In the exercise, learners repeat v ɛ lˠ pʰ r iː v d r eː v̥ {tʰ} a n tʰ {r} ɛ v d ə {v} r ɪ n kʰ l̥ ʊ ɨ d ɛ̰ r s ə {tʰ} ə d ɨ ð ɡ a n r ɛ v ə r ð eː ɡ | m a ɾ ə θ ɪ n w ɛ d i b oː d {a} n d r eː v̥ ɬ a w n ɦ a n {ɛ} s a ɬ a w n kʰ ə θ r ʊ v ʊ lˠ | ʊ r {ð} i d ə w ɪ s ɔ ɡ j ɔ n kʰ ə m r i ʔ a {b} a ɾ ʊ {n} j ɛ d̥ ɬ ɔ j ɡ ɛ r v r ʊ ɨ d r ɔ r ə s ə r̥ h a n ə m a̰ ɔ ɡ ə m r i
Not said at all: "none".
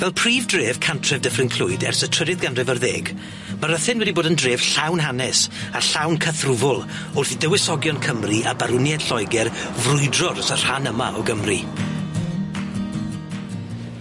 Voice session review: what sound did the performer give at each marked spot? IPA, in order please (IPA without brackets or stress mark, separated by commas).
kʰ, r, f, tʰ, ə, ɛ, θ, b, n